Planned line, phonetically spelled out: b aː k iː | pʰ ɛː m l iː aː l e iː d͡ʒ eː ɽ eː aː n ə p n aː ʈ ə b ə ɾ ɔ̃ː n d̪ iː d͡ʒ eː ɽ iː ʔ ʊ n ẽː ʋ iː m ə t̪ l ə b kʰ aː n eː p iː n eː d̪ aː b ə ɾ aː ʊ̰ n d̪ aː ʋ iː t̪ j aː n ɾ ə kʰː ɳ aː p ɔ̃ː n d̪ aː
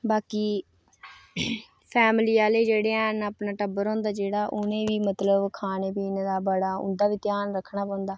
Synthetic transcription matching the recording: b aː k iː | pʰ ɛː m l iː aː l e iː d͡ʒ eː ɽ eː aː n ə p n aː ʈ ə b ə ɾ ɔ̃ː n d̪ aː d͡ʒ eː ɽ aː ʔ ʊ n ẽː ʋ iː m ə t̪ l ə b kʰ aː n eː p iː n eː d̪ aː b ə ɽ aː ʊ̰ n d̪ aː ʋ iː t̪ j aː n ɾ ə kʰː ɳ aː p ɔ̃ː n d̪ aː